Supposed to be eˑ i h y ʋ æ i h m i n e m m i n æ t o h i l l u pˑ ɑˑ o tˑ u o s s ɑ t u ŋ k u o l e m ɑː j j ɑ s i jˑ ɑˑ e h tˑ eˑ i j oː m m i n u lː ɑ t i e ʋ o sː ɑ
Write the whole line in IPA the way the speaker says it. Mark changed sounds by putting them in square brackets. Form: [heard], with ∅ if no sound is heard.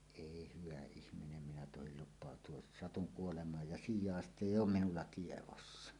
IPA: eˑ i h y ʋ æ i h m i n e m m i n æ t o h i l l u pˑ ɑˑ o tˑ u o s s ɑ t u ŋ k u o l e m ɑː j j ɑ s i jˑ ɑˑ e [s] tˑ eˑ i j oː m m i n u lː ɑ t i e ʋ o sː ɑ